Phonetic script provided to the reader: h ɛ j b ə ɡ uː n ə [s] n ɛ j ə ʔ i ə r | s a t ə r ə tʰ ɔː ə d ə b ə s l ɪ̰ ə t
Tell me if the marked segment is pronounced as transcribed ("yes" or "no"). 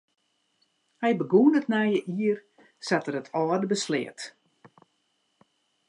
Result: no